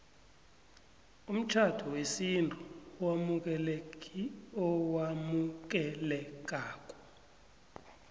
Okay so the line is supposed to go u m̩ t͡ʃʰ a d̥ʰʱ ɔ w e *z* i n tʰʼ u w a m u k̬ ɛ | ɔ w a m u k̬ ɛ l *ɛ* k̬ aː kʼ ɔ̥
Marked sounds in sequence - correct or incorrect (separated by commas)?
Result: incorrect, correct